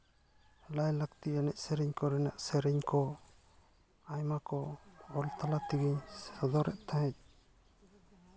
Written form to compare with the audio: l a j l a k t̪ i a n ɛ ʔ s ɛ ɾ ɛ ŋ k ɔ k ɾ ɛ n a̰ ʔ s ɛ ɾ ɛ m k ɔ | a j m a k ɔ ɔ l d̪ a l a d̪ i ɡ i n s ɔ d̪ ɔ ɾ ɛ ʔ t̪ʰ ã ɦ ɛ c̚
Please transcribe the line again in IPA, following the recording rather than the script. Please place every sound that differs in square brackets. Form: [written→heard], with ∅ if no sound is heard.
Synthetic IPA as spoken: l a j l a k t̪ i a n ɛ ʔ s ɛ ɾ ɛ [ŋ→ɲ] k ɔ [k→∅] ɾ ɛ n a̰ ʔ s ɛ ɾ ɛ [m→ɲ] k ɔ | a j m a k ɔ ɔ l [d̪→t̪] a l a [d̪→t̪] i ɡ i [n→ɲ] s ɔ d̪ ɔ ɾ ɛ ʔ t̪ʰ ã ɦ ɛ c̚